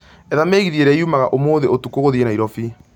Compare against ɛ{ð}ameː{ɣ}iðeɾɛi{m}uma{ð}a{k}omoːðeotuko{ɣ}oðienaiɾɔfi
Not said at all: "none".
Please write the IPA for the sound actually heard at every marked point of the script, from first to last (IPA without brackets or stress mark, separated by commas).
ð, ɣ, none, ɣ, ʔ, ɣ